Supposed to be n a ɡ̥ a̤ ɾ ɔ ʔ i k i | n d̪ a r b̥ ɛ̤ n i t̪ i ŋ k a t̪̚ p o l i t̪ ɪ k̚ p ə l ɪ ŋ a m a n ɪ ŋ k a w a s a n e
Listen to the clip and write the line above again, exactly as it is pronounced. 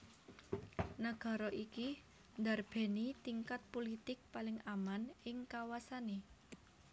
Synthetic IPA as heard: n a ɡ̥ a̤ ɾ ɔ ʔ i k i | n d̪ a r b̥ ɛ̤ n i t̪ i ŋ k a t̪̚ p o l i t̪ ɪ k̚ p a l ɪ ŋ a m a n ɪ ŋ k a w a s a n e